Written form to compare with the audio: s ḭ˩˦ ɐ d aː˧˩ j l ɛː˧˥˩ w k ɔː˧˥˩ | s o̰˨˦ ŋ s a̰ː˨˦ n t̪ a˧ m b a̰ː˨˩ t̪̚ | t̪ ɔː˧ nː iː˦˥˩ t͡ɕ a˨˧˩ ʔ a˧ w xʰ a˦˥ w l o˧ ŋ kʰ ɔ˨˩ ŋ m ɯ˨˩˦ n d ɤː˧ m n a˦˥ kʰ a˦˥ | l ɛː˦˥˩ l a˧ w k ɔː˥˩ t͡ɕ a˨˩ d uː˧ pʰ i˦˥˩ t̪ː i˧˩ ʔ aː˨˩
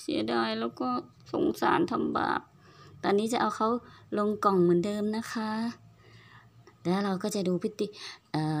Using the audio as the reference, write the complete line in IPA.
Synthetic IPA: s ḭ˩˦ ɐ d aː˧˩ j l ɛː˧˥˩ w k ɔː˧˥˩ | s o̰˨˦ ŋ s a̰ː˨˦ n t̪ʰ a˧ m b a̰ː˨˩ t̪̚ | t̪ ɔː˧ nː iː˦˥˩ t͡ɕ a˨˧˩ ʔ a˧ w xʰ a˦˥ w l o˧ ŋ k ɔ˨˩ ŋ m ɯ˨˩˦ n d ɤː˧ m n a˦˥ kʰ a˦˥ | l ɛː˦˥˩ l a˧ w k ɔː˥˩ t͡ɕ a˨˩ d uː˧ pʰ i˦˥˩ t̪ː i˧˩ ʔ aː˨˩